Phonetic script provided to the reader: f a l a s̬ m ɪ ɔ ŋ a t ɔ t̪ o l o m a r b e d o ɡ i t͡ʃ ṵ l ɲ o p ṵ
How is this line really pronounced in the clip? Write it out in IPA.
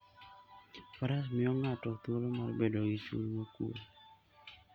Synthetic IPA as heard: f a ɾ a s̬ m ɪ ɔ ŋ a t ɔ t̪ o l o m a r b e d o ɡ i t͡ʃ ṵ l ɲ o k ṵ